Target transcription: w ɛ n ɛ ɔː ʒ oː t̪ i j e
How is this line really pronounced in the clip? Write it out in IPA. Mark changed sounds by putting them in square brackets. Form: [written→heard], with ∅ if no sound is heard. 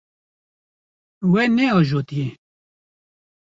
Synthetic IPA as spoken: w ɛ n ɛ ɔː ʒ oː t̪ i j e